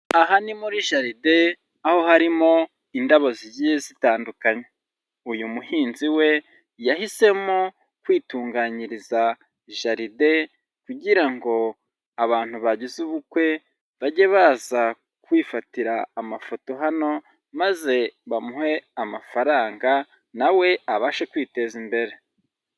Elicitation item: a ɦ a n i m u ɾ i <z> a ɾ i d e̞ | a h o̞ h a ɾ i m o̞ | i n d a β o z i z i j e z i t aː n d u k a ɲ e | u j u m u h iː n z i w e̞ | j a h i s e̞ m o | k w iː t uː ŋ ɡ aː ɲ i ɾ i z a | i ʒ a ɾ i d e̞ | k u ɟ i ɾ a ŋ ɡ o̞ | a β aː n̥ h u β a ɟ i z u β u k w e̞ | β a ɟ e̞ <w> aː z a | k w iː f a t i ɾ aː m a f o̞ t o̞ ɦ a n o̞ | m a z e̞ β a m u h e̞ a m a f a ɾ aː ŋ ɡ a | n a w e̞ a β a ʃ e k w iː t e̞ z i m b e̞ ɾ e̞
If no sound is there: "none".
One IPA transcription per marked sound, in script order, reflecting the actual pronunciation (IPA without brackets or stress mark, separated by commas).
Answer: ʒ, β